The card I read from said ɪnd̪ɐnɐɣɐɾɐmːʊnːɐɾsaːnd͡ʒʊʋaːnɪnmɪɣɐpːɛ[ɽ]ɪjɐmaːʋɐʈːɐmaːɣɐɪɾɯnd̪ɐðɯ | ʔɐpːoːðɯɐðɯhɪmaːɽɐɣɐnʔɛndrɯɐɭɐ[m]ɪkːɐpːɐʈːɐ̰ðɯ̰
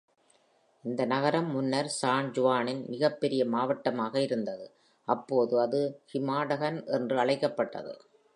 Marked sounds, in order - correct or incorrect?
incorrect: ɾ, incorrect: none

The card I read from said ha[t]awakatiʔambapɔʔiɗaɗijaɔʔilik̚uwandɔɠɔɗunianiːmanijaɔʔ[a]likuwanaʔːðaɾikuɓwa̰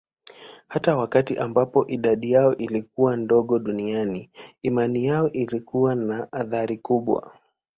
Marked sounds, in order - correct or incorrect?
correct, incorrect: i

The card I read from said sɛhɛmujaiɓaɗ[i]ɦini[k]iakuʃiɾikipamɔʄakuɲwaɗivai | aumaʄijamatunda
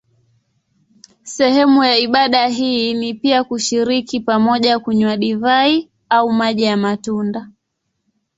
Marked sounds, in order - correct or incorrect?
incorrect: a, incorrect: p

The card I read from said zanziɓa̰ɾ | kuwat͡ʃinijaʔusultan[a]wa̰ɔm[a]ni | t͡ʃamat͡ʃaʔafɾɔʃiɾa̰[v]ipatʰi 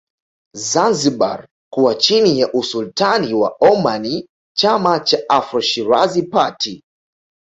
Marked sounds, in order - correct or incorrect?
incorrect: i, correct, incorrect: z

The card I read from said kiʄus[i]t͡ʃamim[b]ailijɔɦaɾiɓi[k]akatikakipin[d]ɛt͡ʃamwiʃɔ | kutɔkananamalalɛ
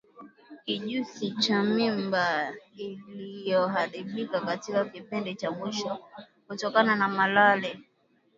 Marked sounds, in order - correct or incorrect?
correct, correct, correct, correct

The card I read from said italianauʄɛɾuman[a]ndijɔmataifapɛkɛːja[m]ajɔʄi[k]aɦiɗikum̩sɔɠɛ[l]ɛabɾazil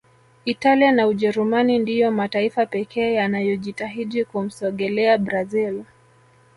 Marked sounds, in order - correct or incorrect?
incorrect: i, incorrect: n, incorrect: t, correct

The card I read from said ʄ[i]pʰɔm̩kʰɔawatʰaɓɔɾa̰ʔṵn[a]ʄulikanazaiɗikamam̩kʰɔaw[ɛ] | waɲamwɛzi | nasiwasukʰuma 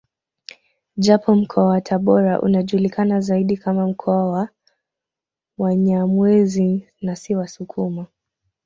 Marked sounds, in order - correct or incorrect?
incorrect: a, correct, incorrect: a

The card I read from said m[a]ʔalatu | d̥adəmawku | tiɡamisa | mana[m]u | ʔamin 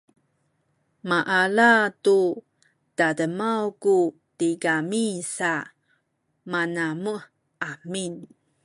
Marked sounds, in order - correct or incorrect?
correct, correct

